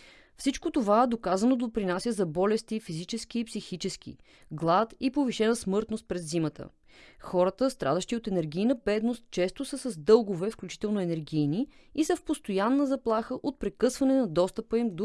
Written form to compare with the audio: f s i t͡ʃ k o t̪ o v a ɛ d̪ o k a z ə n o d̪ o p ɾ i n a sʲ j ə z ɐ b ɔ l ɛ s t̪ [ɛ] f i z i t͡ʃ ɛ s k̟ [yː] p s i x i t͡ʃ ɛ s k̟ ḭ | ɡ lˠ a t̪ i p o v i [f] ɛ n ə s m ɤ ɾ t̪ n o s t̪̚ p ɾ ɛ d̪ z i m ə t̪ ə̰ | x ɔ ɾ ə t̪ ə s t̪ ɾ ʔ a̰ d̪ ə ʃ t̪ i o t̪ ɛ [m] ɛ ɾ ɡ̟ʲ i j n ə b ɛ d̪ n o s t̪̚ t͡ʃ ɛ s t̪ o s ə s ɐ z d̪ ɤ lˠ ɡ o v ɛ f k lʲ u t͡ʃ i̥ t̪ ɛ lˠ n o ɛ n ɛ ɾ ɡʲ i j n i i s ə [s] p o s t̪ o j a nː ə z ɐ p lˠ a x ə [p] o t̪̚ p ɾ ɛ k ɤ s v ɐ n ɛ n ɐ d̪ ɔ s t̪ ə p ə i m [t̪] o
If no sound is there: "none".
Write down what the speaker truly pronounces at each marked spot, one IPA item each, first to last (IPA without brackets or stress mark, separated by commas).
i, iː, ʃ, n, f, ʔ, d̪